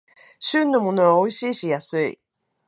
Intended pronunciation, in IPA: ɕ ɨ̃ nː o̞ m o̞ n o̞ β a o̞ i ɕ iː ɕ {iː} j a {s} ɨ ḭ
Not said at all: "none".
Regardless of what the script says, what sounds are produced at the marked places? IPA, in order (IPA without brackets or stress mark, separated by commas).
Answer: i, s